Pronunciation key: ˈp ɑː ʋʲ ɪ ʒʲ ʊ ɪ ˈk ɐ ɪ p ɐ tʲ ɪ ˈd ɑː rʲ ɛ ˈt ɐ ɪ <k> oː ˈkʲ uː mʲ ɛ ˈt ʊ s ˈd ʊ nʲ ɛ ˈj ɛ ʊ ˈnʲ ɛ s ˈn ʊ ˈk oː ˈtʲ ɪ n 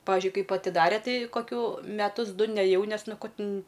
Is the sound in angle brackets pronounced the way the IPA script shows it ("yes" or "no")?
yes